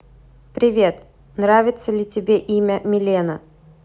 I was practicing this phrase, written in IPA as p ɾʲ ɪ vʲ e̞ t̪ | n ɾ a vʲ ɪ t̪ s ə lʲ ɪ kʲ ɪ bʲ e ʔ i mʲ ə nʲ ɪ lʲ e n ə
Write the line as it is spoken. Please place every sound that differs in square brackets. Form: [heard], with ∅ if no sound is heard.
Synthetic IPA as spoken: p ɾʲ ɪ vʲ e̞ t̪ | n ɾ a vʲ ɪ t̪ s ə lʲ ɪ [tʲ] ɪ bʲ e ʔ i mʲ ə [mʲ] ɪ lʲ e n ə